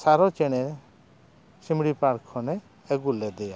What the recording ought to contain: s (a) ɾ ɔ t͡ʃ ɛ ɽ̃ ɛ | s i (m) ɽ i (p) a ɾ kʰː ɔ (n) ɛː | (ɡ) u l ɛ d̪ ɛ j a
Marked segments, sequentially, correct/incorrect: correct, correct, correct, correct, correct

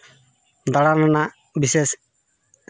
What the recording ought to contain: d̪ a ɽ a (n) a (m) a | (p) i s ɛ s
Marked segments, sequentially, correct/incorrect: correct, incorrect: n, incorrect: b

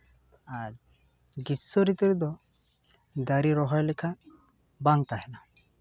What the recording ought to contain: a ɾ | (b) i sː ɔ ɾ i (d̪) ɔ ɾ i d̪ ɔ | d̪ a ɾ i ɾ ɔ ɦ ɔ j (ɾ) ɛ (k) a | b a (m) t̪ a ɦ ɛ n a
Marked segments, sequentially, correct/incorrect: incorrect: ɡ, incorrect: t̪, incorrect: l, incorrect: kʰ, incorrect: ŋ

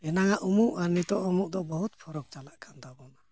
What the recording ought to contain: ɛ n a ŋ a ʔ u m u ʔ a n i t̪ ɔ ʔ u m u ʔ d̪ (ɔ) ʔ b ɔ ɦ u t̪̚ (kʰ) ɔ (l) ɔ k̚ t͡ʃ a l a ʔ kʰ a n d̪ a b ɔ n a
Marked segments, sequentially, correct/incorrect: correct, incorrect: pʰ, incorrect: ɾ

